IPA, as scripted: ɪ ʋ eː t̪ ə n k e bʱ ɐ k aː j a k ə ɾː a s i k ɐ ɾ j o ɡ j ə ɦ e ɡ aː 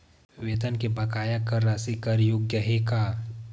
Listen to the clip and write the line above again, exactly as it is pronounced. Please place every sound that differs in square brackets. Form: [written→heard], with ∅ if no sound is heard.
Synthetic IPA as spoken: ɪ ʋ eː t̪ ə n k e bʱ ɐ k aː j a k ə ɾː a s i k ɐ ɾ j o ɡ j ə ɦ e [ɡ→k] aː